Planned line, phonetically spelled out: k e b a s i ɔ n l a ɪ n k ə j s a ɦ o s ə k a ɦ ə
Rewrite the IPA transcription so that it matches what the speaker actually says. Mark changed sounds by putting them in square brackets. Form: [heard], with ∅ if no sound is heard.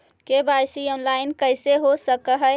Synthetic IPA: k e b a s i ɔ n l a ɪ n k ə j s [e] ɦ o s ə k [ə] ɦ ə

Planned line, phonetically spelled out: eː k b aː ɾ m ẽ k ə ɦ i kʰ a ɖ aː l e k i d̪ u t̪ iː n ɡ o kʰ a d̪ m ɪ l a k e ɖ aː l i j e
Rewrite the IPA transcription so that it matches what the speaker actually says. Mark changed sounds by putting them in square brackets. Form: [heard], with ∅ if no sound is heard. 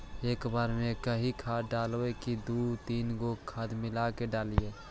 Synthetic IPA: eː k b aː ɾ m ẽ k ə ɦ i kʰ a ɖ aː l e k i d̪ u t̪ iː n ɡ o kʰ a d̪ m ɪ l a k e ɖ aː l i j e

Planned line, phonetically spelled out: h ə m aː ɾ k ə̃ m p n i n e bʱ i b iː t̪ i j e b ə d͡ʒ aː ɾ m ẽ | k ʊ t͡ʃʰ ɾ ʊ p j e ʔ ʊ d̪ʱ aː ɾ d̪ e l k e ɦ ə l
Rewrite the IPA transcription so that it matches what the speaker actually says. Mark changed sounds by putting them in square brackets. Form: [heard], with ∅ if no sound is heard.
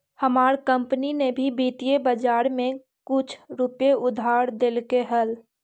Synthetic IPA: h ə m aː ɾ k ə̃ m p n i n e bʱ i b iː t̪ i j e b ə d͡ʒ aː ɾ m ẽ | k ʊ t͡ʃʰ ɾ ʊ p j e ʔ ʊ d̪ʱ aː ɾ d̪ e l k e ɦ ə l

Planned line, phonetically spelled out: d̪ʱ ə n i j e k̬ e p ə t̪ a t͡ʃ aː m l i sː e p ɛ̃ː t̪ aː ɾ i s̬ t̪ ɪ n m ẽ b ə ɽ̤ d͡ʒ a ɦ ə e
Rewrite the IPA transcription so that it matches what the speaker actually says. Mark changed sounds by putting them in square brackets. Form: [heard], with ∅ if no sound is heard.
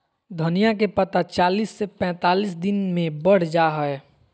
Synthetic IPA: d̪ʱ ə n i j [a] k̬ e p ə t̪ a t͡ʃ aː [∅] l i sː e p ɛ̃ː t̪ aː [l] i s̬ [d̪] ɪ n m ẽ b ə ɽ̤ d͡ʒ a ɦ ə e

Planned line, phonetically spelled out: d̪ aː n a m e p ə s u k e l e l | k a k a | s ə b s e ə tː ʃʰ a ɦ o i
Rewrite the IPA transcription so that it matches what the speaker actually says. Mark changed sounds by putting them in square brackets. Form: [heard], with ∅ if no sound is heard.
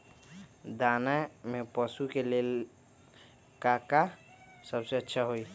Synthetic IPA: d̪ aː n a m e p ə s u k e l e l | k a k a | s ə b s e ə tː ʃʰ a ɦ o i

